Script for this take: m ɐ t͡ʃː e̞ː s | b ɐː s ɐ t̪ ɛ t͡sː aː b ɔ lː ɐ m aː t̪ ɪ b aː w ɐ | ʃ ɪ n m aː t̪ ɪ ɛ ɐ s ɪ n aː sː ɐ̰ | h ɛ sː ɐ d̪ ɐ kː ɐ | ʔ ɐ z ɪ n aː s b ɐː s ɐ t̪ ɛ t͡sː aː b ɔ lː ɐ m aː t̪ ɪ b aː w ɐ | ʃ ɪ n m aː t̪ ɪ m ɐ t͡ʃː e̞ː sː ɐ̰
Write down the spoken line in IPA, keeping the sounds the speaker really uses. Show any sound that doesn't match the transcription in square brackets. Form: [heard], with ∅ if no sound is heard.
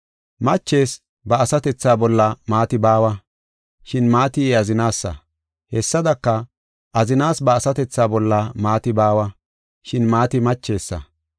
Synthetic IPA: m ɐ t͡ʃː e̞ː s | b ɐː s ɐ t̪ ɛ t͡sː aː b ɔ lː ɐ m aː t̪ ɪ b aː w ɐ | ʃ ɪ n m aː t̪ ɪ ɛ ɐ [z] ɪ n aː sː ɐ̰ | h ɛ sː ɐ d̪ ɐ kː ɐ | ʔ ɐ z ɪ n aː s b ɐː s ɐ t̪ ɛ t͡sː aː b ɔ lː ɐ m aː t̪ ɪ b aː w ɐ | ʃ ɪ n m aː t̪ ɪ m ɐ t͡ʃː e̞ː sː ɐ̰